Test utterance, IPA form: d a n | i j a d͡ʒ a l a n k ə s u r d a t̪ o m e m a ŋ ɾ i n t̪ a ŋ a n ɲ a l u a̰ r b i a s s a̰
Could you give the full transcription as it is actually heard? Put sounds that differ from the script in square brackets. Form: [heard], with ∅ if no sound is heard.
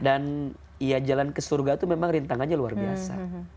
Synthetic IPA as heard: d a n | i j a d͡ʒ a l a n k ə s u r [ɡ] a t̪ [u] m e m a ŋ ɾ i n t̪ a ŋ a n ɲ a l u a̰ r b i a s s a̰